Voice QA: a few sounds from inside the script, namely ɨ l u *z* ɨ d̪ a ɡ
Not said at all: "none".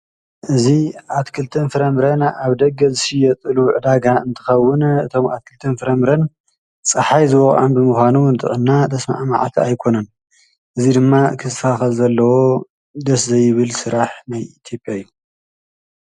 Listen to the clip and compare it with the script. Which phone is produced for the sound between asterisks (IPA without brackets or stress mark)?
ʕ